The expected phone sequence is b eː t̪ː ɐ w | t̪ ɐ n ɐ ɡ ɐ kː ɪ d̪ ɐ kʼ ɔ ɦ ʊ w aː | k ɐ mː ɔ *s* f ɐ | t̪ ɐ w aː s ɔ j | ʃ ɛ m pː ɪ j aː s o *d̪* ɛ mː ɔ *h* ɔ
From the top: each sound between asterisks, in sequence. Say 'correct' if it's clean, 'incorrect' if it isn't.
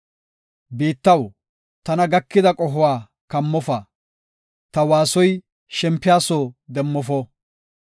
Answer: incorrect: none, correct, incorrect: f

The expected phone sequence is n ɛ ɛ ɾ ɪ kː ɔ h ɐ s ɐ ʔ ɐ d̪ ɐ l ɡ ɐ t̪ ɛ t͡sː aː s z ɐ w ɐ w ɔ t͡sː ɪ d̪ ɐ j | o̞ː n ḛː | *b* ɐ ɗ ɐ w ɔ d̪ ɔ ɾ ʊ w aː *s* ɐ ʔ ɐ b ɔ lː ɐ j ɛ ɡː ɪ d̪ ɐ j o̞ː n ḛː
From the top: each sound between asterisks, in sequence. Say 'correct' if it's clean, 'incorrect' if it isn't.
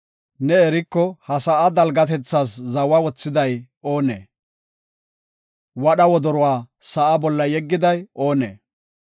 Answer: incorrect: w, correct

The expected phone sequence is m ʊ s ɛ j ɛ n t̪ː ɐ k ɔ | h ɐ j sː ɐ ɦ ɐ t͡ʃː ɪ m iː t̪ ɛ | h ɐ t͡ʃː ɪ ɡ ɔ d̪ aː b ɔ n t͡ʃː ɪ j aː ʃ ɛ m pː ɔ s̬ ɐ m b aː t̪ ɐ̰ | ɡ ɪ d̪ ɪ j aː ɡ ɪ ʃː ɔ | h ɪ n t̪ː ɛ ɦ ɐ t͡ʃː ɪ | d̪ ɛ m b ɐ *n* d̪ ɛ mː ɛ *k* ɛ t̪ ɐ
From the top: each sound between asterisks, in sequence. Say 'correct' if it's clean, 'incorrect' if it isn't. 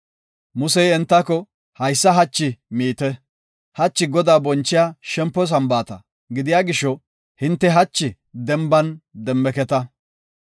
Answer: correct, correct

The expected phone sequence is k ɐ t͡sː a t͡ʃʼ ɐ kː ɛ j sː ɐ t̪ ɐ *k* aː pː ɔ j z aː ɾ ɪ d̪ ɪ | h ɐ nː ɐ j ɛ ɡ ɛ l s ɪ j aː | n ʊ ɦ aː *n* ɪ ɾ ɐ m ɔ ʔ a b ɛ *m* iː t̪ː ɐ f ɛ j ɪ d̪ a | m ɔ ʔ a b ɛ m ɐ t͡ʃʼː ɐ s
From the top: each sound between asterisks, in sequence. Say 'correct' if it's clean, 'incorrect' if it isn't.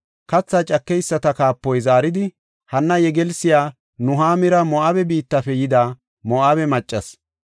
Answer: correct, incorrect: m, incorrect: b

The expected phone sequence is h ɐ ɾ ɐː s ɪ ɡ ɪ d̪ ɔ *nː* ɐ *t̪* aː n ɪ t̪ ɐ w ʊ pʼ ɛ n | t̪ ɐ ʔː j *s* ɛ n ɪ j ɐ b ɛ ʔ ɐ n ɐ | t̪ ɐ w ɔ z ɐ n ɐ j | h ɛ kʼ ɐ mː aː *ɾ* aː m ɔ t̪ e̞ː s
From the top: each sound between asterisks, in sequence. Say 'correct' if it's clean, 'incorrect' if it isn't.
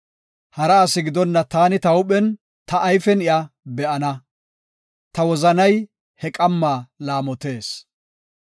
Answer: correct, correct, incorrect: f, incorrect: l

